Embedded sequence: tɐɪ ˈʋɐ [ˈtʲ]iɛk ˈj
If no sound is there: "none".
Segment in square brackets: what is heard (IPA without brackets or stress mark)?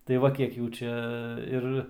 kʲ